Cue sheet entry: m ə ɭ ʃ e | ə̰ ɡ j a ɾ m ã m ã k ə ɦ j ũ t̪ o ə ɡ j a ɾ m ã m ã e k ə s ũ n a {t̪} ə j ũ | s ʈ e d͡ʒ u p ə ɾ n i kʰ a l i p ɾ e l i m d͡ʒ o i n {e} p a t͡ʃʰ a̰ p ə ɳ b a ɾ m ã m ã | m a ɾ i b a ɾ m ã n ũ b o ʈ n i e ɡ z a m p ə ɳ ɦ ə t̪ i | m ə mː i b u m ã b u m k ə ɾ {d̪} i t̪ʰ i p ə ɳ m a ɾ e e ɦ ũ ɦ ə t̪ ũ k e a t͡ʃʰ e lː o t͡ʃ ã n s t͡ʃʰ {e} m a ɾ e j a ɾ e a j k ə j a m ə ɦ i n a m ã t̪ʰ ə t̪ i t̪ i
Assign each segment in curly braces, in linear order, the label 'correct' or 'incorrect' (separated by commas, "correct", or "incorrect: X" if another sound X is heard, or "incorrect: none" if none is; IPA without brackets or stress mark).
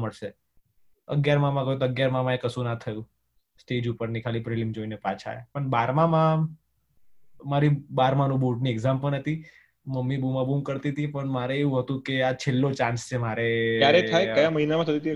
incorrect: t̪ʰ, correct, incorrect: t̪, correct